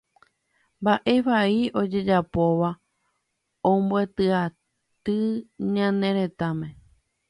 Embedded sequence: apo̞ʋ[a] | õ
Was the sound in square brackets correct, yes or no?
yes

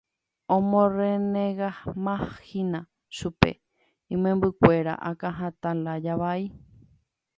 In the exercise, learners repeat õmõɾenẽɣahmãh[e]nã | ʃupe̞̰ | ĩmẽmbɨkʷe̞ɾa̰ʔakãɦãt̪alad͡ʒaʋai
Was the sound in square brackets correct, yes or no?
no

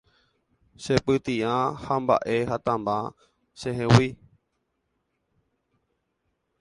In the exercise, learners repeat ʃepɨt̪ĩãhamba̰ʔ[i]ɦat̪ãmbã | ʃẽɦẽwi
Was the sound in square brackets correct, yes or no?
no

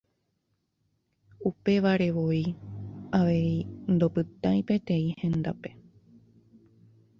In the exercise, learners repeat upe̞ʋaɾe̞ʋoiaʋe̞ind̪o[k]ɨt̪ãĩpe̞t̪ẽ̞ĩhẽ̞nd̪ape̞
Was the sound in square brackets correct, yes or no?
no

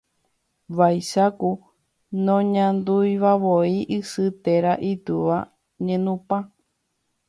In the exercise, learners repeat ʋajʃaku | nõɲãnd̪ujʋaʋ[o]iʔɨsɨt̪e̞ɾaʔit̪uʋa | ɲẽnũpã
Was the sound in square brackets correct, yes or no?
yes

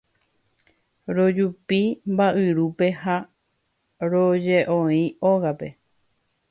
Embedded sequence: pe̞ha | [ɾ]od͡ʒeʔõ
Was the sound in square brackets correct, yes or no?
yes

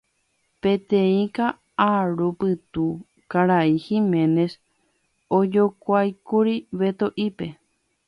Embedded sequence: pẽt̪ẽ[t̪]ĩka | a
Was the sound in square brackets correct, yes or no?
no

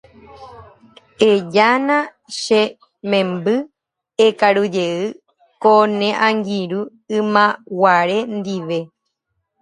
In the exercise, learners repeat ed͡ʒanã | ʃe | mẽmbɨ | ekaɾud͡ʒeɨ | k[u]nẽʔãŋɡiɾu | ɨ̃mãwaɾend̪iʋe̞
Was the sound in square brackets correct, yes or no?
no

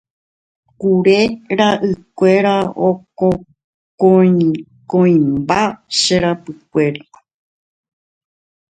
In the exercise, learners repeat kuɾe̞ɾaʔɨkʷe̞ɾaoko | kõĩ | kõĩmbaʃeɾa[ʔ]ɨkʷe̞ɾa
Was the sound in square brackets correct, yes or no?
no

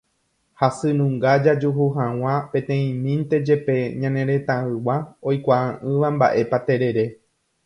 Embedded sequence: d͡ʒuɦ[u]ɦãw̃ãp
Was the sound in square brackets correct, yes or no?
yes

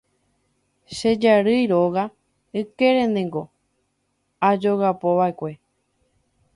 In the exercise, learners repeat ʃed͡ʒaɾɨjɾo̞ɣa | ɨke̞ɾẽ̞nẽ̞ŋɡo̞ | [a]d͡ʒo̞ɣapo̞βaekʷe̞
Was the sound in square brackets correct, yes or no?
yes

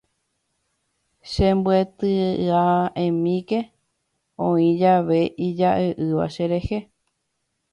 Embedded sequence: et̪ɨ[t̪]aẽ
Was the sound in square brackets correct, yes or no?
no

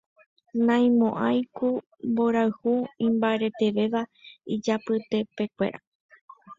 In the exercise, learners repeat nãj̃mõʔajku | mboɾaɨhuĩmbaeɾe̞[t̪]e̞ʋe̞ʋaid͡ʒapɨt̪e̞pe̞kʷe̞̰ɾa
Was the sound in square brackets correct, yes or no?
yes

